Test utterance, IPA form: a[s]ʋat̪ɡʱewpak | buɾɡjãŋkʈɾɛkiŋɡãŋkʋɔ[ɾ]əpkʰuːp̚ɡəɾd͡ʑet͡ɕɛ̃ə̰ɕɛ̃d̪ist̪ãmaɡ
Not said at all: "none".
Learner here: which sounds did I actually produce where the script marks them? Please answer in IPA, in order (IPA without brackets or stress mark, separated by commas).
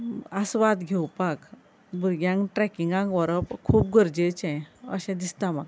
s, ɾ